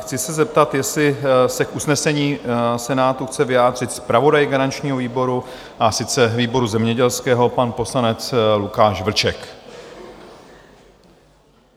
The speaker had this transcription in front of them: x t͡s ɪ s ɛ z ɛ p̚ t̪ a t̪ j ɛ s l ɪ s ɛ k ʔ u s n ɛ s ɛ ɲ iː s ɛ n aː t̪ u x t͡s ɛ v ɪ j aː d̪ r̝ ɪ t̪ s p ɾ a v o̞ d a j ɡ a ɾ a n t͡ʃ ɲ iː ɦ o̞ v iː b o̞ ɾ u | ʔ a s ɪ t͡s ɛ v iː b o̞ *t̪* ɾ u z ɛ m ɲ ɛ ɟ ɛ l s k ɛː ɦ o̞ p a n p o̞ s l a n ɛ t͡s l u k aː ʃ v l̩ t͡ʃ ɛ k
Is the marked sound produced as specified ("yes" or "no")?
no